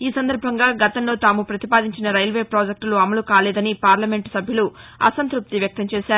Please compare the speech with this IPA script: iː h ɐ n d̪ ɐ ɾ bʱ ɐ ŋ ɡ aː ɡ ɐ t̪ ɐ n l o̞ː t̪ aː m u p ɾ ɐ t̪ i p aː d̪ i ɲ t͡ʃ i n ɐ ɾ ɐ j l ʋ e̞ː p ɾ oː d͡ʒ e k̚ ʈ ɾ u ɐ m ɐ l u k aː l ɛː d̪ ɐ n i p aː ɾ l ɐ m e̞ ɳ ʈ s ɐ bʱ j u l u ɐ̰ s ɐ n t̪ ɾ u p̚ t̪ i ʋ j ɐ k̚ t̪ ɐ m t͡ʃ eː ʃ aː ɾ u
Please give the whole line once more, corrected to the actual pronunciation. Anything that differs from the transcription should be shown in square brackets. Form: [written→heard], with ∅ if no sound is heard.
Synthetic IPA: iː [h→s] ɐ n d̪ ɐ ɾ bʱ ɐ ŋ ɡ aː ɡ ɐ t̪ ɐ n l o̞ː t̪ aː m u p ɾ ɐ t̪ i p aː d̪ i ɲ t͡ʃ i n ɐ ɾ ɐ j l ʋ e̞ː p ɾ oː d͡ʒ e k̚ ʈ [ɾ→l] u ɐ m ɐ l u k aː l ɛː d̪ ɐ n i p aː ɾ l ɐ m e̞ ɳ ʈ s ɐ bʱ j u l u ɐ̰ s ɐ n t̪ ɾ u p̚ t̪ i ʋ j ɐ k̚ t̪ ɐ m t͡ʃ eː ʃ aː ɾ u